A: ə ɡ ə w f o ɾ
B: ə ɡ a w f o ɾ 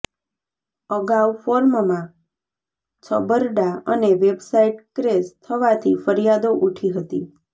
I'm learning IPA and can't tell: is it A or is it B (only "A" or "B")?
B